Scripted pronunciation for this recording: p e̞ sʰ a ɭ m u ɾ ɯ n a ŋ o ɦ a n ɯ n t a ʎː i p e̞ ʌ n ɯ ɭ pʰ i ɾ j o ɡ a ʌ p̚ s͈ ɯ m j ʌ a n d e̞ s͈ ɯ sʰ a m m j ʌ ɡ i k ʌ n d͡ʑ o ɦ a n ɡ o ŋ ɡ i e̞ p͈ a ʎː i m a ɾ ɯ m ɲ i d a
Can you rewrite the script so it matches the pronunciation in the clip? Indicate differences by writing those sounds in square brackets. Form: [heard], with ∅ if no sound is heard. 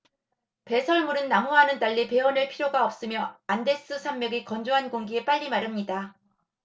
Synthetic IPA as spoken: p e̞ sʰ [ʌ] ɭ m u ɾ ɯ [nː] a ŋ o ɦ a n ɯ n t a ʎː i p e̞ ʌ n ɯ ɭ pʰ i ɾ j o ɡ a ʌ p̚ s͈ ɯ m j ʌ a n d e̞ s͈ ɯ sʰ a m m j ʌ ɡ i k ʌ n d͡ʑ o ɦ a n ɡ o ŋ ɡ i e̞ p͈ a ʎː i m a ɾ ɯ m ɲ i d a